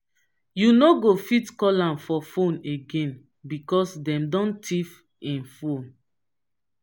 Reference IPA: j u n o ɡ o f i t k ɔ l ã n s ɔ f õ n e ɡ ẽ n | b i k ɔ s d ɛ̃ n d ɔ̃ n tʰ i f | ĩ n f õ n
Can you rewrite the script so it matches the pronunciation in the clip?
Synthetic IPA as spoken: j u n o ɡ o f i t k ɔ l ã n f ɔ f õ n e ɡ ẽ n | b i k ɔ s d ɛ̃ m d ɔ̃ n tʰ i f | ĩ n f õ n